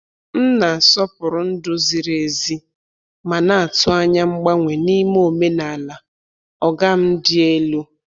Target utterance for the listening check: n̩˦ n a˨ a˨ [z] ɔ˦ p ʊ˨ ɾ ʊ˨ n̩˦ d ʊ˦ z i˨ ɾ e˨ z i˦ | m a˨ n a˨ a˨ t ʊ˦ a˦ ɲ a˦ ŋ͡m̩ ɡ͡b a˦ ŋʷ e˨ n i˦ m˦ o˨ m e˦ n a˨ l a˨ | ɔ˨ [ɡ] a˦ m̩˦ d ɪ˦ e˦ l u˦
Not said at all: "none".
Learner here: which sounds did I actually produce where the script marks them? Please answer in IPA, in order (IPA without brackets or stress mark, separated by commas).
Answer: s, ɡ